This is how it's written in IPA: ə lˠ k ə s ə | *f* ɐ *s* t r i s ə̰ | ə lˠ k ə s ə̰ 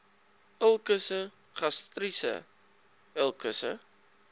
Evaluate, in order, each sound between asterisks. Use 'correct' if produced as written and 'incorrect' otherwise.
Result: incorrect: χ, correct

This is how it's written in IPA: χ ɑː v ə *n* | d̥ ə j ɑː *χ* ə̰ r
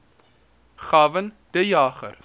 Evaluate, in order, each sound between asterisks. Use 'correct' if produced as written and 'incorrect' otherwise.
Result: correct, correct

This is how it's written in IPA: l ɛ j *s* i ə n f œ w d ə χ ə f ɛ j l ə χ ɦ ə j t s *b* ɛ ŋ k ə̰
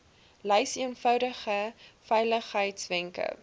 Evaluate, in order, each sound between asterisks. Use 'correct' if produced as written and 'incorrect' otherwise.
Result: correct, incorrect: v

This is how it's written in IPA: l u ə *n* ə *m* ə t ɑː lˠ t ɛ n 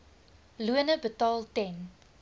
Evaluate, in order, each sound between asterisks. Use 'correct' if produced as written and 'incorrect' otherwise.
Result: correct, incorrect: b

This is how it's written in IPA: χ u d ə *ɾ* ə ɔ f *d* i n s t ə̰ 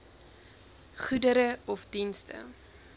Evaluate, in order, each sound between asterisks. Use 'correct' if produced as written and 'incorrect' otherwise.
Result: correct, correct

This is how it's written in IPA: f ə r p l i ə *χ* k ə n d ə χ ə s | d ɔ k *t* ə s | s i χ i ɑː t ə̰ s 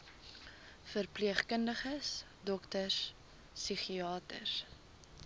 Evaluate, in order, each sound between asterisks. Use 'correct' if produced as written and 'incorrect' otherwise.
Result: correct, correct

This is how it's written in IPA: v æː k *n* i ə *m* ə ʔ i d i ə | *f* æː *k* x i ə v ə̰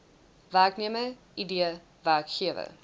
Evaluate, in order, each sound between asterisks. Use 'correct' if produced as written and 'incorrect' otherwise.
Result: correct, correct, incorrect: v, correct

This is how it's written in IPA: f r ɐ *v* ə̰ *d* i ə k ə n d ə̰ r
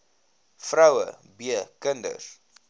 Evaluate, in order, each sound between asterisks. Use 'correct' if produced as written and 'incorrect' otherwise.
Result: incorrect: w, incorrect: b

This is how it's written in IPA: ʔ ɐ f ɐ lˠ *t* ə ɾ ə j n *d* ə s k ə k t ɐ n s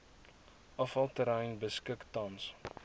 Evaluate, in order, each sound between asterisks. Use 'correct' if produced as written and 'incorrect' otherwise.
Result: correct, incorrect: b

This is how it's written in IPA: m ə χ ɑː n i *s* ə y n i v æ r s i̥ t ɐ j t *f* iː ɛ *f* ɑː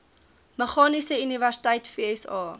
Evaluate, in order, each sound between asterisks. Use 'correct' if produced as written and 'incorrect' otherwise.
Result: correct, correct, incorrect: s

